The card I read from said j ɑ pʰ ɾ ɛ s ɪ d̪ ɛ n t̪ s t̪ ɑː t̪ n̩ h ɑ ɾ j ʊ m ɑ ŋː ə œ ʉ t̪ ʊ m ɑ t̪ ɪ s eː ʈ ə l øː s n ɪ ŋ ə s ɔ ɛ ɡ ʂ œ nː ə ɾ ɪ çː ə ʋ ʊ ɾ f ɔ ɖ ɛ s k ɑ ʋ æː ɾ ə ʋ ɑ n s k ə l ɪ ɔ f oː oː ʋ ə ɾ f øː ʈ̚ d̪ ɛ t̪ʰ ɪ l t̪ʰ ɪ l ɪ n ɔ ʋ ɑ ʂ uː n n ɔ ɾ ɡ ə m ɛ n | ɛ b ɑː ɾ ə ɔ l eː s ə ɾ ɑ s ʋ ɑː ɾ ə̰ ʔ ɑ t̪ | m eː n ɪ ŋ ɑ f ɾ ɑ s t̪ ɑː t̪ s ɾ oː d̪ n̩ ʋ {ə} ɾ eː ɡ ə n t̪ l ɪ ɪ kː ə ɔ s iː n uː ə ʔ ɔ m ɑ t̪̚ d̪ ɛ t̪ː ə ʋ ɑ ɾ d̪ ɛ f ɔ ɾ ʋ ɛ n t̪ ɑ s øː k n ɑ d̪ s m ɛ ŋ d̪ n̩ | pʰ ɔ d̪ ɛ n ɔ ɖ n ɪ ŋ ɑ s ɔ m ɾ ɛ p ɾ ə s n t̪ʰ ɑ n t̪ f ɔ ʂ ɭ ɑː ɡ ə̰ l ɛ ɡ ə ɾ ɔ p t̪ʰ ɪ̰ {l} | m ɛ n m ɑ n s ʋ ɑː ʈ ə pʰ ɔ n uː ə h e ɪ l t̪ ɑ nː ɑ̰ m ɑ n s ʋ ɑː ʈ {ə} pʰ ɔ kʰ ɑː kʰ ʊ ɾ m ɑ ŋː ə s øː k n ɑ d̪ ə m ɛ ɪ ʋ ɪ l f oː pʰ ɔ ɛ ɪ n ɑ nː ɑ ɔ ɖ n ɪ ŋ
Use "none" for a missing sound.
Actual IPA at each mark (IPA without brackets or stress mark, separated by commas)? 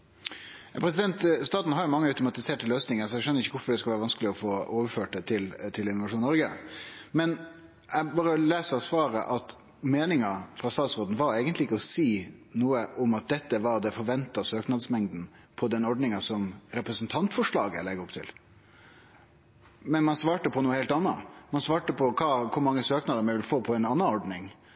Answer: ɑ, l, ə